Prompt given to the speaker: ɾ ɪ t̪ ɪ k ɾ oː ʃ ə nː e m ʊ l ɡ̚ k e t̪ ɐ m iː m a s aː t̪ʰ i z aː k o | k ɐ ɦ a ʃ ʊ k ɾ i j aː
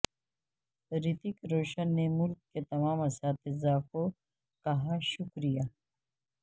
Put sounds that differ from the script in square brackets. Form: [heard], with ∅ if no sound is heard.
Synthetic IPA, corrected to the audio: ɾ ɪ t̪ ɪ k ɾ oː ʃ ə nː e m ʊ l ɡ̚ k e t̪ ɐ m [aː] m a s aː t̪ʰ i z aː k o | k ɐ ɦ a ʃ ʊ k ɾ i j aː